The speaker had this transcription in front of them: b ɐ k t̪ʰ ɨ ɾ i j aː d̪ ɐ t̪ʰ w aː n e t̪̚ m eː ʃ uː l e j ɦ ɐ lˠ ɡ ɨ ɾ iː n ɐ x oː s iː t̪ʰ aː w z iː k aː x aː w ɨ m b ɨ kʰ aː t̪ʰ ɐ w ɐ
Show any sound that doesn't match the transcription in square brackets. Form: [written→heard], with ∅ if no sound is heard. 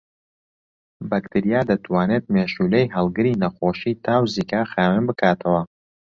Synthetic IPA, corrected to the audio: b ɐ k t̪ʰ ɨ ɾ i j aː d̪ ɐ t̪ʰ w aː n e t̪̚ m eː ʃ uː l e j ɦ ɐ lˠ ɡ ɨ ɾ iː n ɐ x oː [s→ʃ] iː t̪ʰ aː w z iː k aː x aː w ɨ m b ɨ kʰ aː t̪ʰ ɐ w ɐ